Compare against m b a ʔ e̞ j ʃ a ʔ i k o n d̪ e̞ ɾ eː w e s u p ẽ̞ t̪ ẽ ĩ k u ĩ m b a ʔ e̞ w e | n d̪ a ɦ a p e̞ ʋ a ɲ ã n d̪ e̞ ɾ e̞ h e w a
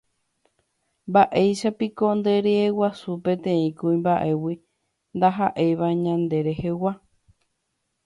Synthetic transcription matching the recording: m b a ʔ e̞ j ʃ a p i k o n d̪ e̞ ɾ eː w a s u p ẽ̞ t̪ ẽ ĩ k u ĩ m b a ʔ e̞ w i | n d̪ a ɦ a ʔ e̞ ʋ a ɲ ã n d̪ e̞ ɾ e̞ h e w a